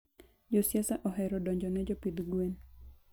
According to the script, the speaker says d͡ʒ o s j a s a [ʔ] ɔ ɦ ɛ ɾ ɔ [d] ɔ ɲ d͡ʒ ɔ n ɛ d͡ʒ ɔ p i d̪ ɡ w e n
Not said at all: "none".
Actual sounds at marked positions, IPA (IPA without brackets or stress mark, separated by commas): ʔ, d